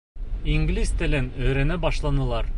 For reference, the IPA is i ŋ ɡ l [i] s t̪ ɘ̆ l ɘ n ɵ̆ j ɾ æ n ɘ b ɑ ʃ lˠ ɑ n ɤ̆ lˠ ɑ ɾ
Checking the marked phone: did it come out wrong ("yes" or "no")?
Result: no